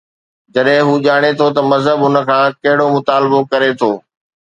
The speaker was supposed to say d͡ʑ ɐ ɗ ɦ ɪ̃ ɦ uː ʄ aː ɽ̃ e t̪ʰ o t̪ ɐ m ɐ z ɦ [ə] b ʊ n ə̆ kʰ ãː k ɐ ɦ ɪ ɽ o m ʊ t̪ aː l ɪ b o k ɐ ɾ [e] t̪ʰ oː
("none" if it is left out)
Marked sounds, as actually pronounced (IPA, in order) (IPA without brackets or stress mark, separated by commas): ə, e